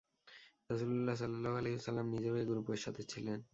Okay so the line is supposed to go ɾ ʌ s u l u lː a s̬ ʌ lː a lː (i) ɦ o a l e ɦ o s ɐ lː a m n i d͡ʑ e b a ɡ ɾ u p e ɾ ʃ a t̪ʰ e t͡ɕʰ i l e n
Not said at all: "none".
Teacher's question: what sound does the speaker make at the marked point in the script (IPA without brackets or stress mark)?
a